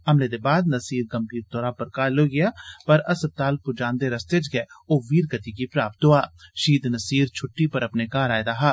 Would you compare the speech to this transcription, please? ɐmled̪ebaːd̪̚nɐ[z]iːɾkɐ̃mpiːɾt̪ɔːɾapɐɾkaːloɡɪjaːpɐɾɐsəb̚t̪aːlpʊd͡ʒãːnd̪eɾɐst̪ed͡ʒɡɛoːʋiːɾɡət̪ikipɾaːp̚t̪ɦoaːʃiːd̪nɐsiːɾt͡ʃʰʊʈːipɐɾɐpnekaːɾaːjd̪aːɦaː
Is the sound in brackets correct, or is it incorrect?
incorrect